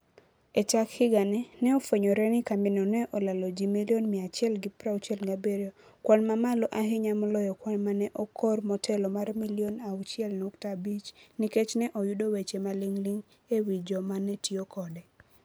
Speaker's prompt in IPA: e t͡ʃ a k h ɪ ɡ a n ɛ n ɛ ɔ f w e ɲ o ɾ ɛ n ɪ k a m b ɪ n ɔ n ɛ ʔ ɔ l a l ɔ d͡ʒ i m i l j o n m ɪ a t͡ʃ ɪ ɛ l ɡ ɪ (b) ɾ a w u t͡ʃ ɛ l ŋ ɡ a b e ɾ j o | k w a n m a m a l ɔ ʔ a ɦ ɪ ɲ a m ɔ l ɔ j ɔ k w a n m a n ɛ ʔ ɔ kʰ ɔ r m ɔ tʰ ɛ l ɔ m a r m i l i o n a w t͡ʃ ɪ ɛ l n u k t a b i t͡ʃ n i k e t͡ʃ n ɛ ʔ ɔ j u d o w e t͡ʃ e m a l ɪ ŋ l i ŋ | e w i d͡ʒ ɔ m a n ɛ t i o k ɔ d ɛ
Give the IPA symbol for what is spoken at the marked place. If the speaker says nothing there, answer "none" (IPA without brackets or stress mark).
p